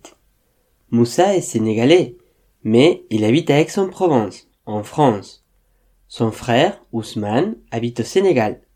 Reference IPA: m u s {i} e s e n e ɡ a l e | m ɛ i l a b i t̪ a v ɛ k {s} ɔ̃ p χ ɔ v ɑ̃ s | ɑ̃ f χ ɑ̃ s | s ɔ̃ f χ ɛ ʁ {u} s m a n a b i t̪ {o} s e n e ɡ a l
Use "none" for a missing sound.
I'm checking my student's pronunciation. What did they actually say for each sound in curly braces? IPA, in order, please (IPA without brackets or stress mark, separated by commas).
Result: a, s, u, o